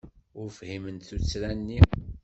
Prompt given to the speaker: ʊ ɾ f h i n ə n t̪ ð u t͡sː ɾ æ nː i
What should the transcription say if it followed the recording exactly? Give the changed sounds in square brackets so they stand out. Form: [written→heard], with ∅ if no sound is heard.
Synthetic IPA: ʊ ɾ f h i [n→m] ə n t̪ [ð→θ] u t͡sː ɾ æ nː i